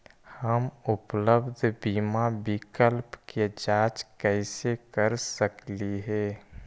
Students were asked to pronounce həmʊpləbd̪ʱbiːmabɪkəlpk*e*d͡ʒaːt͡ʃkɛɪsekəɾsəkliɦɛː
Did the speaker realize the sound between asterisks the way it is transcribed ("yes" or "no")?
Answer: yes